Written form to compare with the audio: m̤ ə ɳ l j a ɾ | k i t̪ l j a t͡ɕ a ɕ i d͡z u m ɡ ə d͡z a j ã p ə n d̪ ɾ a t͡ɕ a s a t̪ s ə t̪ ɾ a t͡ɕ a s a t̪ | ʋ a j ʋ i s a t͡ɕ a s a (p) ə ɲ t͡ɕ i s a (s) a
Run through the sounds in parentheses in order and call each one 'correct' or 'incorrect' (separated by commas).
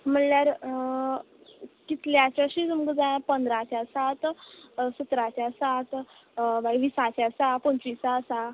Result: correct, correct